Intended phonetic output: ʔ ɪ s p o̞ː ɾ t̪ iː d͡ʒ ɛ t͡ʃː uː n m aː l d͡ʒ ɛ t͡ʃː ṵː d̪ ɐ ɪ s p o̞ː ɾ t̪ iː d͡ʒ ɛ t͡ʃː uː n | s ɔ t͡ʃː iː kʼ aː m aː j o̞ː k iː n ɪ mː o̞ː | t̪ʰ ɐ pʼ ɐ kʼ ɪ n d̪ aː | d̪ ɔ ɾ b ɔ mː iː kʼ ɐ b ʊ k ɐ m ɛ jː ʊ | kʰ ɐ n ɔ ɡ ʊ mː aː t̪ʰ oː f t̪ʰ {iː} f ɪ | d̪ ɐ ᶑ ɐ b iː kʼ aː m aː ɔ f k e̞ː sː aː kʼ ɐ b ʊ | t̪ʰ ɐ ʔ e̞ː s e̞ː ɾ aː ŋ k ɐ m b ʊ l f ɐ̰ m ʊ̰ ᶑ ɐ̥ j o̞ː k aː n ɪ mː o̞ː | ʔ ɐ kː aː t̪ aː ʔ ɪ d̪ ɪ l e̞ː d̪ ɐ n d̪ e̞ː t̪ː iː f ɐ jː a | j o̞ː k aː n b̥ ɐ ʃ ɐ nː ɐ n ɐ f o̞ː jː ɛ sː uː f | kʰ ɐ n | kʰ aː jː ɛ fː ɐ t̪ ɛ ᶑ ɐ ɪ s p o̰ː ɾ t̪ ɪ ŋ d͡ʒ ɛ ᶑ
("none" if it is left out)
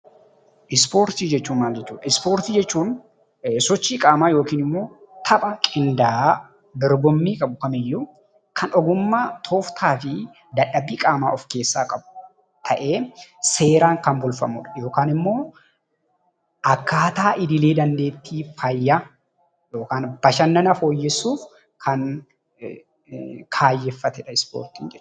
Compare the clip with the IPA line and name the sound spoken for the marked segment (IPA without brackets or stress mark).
aː